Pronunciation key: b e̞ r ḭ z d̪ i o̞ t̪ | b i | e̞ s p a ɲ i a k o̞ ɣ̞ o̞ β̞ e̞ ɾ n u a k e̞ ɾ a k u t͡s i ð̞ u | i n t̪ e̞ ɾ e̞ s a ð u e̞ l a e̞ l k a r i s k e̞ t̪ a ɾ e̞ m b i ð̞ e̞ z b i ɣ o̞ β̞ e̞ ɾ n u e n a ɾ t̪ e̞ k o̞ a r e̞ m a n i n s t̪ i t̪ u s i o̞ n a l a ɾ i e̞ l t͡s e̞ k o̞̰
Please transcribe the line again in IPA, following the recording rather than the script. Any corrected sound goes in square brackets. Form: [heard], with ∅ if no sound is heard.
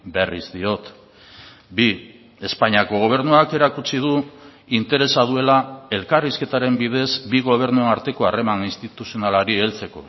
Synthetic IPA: b e̞ r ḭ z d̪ i o̞ t̪ | b i | e̞ s p a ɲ i a k o̞ ɣ̞ o̞ β̞ e̞ ɾ n u a k e̞ ɾ a k u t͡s i ð̞ u | i n t̪ e̞ ɾ e̞ s a ð u e̞ l a e̞ l k a r i s k e̞ t̪ a ɾ e̞ m b i ð̞ e̞ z b i ɣ o̞ β̞ e̞ ɾ n u e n a ɾ t̪ e̞ k o̞ a r e̞ m a n i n s t̪ i t̪ u s i o̞ n a l a ɾ i e̞ l t͡s e̞ k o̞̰